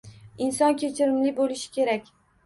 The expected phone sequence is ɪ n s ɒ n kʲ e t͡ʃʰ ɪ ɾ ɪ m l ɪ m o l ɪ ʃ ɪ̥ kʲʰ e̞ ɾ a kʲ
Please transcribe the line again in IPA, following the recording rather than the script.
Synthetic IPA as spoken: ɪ n s ɒ n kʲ e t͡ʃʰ ɪ ɾ ɪ m l ɪ b o l ɪ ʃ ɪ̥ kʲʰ e̞ ɾ a kʲ